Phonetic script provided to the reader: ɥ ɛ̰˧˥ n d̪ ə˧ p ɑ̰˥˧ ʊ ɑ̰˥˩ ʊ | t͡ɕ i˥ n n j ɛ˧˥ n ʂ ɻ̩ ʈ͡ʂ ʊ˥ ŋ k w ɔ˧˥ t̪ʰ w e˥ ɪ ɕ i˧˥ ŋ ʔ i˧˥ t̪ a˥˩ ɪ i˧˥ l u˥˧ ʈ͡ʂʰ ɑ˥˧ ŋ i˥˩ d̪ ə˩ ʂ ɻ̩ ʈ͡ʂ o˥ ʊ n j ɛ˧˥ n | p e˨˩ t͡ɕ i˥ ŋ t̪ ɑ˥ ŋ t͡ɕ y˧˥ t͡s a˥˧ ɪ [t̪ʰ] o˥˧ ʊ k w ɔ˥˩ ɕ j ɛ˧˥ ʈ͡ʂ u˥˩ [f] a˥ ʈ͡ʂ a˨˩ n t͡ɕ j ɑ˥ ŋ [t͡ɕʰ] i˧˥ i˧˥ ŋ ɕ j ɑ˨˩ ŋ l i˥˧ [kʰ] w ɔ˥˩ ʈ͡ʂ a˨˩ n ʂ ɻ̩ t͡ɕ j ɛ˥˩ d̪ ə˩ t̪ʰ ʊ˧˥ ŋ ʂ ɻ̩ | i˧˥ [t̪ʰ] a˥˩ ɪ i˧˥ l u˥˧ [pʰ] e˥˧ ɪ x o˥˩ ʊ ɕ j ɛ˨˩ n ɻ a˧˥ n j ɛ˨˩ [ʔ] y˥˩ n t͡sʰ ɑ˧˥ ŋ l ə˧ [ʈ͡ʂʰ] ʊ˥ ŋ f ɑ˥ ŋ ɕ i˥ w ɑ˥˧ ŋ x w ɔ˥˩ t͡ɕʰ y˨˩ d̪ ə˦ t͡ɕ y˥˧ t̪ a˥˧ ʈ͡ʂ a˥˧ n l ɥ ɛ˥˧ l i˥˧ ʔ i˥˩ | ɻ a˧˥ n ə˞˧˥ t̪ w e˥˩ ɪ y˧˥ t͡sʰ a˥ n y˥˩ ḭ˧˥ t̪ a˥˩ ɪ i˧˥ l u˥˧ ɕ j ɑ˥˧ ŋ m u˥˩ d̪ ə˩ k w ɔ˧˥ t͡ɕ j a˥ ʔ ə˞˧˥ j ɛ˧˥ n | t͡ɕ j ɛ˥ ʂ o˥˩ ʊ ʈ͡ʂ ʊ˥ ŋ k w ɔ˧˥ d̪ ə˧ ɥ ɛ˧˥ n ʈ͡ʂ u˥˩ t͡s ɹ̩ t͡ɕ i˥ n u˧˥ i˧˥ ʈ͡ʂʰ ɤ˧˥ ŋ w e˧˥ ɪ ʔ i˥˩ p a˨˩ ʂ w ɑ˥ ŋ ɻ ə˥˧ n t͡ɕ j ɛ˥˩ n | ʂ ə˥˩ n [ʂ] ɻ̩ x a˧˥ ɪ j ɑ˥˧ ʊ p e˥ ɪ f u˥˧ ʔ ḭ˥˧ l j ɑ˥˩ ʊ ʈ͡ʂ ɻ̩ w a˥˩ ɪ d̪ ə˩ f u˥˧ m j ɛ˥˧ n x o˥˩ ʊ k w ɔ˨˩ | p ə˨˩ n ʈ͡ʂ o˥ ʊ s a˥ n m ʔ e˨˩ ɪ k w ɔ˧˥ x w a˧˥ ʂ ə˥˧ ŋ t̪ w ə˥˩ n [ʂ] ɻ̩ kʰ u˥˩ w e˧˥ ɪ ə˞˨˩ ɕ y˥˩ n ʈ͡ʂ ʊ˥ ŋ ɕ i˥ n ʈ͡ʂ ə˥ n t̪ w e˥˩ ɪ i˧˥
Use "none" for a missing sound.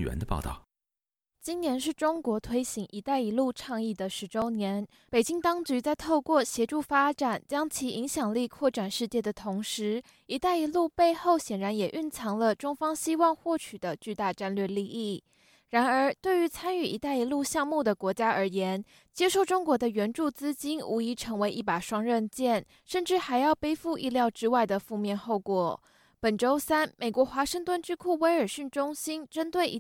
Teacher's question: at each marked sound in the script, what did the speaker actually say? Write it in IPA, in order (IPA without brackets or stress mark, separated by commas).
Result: t̪ʰ, f, t͡ɕʰ, kʰ, t̪, p, ʔ, ʈ͡ʂ, ʈ͡ʂ, ʈ͡ʂ